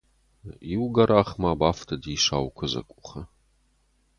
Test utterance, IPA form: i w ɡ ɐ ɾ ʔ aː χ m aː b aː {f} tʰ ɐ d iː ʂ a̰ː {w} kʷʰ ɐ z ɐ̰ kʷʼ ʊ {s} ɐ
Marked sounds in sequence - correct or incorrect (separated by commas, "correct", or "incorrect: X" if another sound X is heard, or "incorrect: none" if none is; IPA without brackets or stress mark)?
correct, correct, incorrect: χ